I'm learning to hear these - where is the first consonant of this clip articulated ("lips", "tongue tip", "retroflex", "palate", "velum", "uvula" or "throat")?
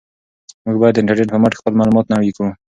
lips